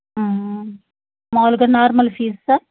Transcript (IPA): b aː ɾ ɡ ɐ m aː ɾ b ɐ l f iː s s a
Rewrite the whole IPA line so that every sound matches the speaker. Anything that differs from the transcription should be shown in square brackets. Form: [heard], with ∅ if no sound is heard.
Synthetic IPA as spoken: [m] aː [l] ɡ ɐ [n] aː ɾ [m] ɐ l f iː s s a